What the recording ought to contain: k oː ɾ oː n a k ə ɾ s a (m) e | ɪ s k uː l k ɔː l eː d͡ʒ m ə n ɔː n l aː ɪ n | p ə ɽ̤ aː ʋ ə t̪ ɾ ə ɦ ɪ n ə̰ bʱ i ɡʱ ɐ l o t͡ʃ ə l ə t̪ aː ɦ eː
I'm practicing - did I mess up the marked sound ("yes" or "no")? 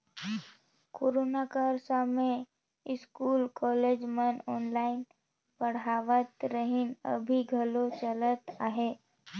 no